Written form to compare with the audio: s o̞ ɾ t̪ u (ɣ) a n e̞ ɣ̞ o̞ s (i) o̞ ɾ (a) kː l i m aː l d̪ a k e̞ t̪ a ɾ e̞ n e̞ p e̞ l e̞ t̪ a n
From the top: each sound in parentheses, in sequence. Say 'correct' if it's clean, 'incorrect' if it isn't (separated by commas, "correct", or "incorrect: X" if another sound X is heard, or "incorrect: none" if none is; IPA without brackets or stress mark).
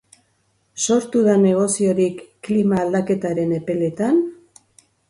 incorrect: ð, correct, incorrect: i